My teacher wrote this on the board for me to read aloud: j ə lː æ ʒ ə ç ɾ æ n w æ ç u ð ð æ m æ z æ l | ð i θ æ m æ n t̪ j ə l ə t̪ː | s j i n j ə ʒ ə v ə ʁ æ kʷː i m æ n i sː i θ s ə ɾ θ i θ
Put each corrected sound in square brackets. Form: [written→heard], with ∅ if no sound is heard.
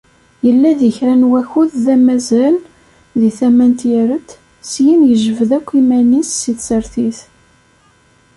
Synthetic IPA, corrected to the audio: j ə lː æ [ʒ→ð] ə ç ɾ æ n w æ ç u ð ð æ m æ z æ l | ð i θ æ m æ n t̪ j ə [l→ɾ] ə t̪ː | s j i n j ə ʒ ə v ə [ʁ→ð] æ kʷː i m æ n i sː i θ s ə ɾ θ i θ